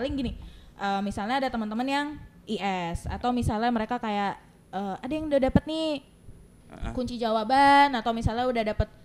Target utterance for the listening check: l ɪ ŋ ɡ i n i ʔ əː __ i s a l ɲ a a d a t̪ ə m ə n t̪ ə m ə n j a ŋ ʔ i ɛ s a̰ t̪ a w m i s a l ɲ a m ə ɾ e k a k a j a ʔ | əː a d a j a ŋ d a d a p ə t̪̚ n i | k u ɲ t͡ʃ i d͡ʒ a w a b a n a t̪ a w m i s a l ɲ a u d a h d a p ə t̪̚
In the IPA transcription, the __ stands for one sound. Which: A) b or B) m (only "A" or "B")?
B